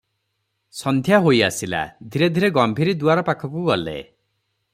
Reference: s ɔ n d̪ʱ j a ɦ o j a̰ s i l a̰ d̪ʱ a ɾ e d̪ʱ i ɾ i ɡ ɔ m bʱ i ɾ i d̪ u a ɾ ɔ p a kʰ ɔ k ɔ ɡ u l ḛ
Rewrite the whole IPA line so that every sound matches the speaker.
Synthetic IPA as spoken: s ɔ n d̪ʱ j a ɦ o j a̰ s i l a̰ d̪ʱ i ɾ e d̪ʱ i ɾ e ɡ ɔ m bʱ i ɾ i d̪ u a ɾ ɔ p a kʰ ɔ k u ɡ ɔ l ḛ